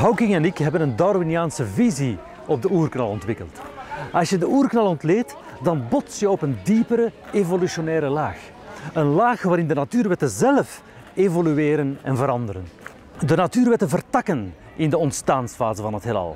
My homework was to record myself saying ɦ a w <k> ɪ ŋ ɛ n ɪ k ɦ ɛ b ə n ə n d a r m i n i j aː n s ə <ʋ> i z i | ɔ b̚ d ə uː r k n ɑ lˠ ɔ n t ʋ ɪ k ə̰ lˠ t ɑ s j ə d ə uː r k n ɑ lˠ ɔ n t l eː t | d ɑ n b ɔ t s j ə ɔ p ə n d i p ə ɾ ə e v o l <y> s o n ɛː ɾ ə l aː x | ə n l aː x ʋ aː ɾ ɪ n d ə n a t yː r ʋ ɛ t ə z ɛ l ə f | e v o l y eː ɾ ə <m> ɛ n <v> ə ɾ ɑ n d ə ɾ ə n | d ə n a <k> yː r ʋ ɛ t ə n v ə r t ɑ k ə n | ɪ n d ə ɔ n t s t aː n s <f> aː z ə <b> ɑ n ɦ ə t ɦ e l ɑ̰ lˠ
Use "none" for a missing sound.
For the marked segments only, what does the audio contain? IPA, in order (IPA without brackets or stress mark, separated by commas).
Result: k, v, y, n, v, t, f, v